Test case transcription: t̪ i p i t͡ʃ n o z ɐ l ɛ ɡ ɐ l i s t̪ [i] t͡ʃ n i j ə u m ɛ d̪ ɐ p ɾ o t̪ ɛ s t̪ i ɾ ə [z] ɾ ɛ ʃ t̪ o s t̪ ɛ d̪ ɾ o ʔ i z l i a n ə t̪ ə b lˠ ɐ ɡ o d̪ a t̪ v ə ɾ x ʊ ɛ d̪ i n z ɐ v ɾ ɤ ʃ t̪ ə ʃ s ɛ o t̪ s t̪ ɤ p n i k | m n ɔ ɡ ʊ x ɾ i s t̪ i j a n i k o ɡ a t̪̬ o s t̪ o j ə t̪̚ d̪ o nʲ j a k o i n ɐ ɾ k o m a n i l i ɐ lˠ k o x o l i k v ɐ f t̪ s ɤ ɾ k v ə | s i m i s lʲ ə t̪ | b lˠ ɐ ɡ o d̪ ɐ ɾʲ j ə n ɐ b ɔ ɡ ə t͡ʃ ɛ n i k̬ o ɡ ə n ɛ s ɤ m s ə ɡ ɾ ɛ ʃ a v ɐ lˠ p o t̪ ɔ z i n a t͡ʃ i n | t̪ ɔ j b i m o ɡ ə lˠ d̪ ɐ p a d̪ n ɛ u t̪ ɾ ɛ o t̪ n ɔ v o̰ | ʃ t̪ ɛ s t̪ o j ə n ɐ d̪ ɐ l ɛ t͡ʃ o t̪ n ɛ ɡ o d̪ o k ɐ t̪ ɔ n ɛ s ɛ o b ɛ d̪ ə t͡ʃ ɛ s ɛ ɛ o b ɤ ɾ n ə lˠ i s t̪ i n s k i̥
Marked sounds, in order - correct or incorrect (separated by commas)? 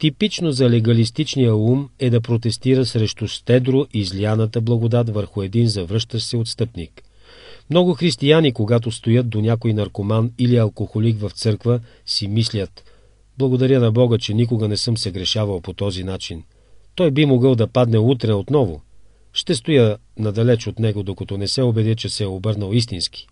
correct, incorrect